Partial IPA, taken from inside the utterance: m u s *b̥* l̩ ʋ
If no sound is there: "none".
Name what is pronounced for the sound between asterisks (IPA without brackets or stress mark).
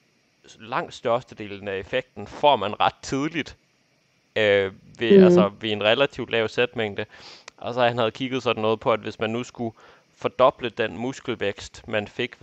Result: ɡ̥